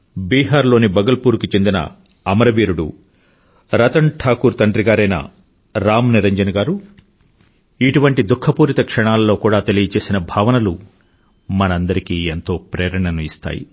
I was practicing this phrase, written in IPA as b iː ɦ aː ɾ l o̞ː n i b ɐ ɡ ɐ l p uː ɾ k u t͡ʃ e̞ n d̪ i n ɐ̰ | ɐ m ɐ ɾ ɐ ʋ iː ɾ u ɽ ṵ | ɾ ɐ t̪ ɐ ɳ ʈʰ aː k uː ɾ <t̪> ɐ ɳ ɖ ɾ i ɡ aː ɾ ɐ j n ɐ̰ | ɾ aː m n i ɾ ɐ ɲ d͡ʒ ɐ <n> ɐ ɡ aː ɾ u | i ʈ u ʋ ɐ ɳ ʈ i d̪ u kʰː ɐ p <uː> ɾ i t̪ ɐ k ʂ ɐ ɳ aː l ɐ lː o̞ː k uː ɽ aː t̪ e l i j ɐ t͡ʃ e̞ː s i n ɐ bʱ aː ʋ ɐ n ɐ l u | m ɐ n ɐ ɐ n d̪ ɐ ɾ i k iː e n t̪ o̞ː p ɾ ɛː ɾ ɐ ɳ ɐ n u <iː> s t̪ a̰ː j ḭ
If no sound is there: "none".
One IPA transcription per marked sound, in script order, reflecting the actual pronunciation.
t̪, n, uː, i

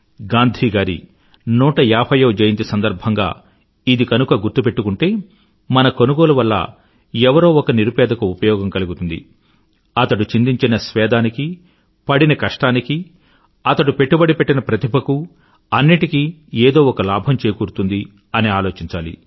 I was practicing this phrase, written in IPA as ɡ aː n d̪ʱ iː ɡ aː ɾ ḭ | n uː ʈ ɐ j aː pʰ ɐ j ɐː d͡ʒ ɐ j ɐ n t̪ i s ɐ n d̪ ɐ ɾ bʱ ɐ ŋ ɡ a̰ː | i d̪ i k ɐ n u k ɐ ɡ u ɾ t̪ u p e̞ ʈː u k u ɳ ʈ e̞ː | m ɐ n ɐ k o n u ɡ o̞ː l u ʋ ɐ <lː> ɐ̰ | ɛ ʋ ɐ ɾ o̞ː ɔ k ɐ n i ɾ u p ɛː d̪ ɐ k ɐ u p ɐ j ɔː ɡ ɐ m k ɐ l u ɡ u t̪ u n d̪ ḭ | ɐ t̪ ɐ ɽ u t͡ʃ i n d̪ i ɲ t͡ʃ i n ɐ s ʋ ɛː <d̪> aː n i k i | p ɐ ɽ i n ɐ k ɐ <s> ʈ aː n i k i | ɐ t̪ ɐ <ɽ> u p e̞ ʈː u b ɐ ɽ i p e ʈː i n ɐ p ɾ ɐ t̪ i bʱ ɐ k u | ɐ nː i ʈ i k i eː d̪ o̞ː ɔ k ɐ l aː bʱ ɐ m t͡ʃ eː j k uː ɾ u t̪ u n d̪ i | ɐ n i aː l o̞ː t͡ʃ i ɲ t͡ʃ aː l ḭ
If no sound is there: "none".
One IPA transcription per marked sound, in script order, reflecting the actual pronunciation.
lː, d̪, ʂ, ɽ

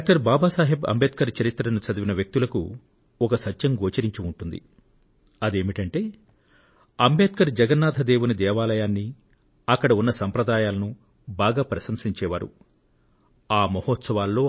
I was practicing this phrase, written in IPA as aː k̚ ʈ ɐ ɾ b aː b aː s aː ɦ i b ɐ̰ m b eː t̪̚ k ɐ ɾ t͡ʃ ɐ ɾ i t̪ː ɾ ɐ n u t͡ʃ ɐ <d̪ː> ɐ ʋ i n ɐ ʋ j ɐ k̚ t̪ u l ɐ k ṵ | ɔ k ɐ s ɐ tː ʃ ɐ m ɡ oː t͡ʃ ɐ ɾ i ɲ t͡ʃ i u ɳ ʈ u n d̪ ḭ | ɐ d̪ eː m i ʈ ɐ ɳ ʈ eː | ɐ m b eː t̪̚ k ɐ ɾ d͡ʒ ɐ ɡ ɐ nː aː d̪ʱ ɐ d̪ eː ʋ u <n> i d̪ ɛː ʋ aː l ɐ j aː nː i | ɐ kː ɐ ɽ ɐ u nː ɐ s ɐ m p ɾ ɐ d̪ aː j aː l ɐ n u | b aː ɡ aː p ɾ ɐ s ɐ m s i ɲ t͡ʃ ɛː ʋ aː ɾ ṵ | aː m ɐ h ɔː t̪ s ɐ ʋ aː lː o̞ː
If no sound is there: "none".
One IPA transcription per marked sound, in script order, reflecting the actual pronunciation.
d̪, n

